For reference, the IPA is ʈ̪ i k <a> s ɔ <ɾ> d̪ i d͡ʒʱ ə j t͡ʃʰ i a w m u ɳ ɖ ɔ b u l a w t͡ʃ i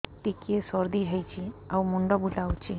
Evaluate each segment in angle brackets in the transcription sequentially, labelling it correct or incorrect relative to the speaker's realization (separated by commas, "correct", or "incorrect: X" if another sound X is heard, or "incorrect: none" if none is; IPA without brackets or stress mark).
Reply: incorrect: e, correct